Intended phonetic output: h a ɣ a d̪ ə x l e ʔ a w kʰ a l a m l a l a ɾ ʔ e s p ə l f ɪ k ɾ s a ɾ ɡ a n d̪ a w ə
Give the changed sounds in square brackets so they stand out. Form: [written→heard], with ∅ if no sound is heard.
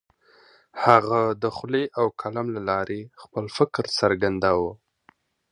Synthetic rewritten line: h a ɣ a d̪ ə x l e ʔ a w kʰ a l a m l a l [a→ɑ] ɾ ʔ e [s→x] p ə l f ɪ k ɾ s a ɾ ɡ a n d̪ a w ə